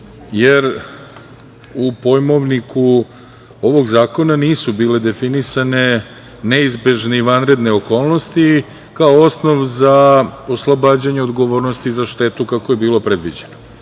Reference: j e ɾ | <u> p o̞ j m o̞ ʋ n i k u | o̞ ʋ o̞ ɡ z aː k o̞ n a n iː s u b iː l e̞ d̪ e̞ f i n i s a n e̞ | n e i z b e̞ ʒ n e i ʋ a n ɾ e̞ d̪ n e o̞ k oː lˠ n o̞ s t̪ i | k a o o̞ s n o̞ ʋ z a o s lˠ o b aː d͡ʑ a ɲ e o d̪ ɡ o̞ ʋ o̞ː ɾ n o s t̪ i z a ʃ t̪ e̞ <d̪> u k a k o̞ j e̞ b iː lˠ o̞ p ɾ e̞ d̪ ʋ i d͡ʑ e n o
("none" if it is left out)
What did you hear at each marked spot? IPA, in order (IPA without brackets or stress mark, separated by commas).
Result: u, t̪